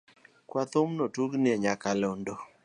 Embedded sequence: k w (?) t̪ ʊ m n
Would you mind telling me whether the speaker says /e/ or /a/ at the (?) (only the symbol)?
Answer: a